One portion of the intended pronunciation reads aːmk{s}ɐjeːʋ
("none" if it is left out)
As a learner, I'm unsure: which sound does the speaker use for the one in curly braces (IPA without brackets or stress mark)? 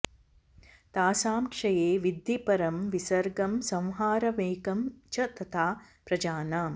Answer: ʂ